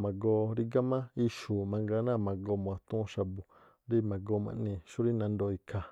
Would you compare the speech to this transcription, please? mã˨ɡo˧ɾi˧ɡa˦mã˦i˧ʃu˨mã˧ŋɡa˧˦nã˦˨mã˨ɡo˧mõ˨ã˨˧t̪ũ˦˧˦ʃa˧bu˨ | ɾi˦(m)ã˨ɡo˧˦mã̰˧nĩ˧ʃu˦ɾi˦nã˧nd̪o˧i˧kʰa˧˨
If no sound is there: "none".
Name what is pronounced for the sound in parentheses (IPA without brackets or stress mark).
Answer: m